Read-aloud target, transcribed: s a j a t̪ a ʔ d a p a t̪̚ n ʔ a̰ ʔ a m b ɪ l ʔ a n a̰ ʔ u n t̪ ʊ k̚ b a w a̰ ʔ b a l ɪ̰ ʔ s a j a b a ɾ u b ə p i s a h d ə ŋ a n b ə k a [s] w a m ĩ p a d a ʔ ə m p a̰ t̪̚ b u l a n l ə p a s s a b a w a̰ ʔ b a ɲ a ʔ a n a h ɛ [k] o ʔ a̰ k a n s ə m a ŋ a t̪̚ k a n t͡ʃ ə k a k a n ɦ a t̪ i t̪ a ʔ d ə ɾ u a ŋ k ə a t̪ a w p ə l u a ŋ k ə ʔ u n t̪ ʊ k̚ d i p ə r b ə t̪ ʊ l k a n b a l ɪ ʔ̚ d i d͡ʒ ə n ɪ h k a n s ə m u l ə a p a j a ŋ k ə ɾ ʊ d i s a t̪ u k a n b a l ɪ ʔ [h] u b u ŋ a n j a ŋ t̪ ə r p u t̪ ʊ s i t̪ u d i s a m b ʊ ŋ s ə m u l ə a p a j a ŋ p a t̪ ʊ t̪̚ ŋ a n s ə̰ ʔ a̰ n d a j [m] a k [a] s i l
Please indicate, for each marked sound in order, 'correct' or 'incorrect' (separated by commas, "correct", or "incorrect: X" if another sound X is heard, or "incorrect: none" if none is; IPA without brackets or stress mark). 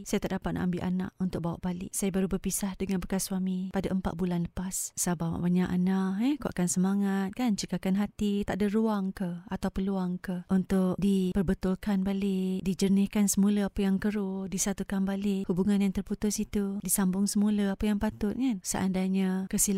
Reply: correct, correct, correct, incorrect: ɲ, incorrect: ə